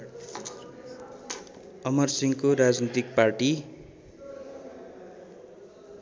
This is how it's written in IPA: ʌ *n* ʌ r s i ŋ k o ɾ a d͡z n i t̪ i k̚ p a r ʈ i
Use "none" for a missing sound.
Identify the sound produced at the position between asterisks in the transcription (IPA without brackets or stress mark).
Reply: m